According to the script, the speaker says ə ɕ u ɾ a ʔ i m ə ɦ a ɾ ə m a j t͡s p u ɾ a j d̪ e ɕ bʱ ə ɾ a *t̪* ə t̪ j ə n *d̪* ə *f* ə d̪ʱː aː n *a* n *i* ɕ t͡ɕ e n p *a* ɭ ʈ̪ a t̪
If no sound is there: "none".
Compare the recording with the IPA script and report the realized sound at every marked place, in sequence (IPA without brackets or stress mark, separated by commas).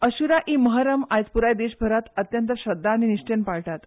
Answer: t̪, t̪, ɕ, i, i, a